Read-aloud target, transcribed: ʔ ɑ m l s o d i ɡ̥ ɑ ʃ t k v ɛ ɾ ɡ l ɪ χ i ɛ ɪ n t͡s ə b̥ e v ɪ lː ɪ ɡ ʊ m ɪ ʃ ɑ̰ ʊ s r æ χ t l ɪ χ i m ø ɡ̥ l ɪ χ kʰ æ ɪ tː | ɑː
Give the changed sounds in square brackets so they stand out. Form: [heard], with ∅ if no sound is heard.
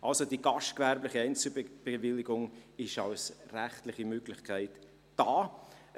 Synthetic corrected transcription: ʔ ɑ [∅] l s o d i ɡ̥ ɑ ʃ t k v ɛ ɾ [b] l ɪ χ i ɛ ɪ n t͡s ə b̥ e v ɪ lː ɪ ɡ ʊ [ŋ] ɪ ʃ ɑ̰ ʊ s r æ χ t l ɪ χ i m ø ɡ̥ l ɪ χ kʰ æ ɪ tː | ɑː